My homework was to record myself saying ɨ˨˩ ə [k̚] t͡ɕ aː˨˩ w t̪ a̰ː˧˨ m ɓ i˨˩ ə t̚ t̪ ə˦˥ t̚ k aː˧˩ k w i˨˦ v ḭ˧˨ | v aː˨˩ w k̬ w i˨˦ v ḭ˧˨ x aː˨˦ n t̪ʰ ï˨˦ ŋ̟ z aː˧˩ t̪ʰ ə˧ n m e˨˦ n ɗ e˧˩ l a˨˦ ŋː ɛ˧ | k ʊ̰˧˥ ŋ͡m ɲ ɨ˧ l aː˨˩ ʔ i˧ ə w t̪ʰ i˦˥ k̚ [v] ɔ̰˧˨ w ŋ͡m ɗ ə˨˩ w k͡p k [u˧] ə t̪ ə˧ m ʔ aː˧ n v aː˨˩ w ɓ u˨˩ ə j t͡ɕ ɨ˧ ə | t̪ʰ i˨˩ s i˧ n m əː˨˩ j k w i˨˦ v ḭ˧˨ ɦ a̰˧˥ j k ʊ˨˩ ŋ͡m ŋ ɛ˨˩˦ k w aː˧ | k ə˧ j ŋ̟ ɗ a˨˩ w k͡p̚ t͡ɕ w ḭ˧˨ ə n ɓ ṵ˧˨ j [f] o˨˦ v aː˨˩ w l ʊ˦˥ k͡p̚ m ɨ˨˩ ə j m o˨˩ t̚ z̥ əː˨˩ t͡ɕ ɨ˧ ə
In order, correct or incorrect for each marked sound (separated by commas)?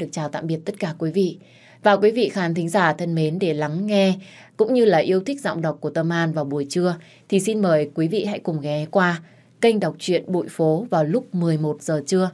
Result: correct, incorrect, incorrect, correct